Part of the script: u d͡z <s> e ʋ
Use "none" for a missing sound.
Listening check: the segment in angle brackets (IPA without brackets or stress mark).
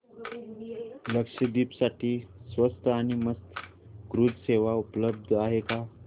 s